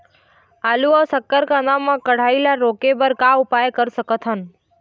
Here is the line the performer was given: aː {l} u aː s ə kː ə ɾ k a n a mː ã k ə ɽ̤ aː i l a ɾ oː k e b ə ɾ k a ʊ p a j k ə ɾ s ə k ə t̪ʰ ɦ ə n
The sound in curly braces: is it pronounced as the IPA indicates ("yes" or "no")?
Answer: yes